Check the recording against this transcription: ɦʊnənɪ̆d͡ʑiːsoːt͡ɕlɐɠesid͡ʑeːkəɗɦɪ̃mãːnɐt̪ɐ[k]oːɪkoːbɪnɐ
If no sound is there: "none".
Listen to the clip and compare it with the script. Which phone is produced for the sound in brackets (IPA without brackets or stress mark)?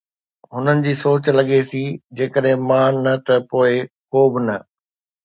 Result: p